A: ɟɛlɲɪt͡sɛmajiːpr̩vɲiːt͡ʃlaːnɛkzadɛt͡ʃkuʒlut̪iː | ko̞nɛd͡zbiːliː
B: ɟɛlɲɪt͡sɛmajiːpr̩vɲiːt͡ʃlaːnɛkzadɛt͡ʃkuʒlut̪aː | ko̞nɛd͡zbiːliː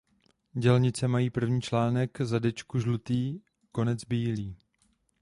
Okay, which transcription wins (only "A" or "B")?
A